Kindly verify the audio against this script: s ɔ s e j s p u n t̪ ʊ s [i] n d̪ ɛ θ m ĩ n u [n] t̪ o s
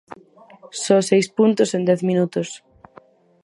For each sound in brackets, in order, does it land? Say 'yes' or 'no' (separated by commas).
no, no